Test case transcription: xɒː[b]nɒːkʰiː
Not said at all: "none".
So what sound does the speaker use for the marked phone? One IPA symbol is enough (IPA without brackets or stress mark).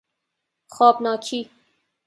b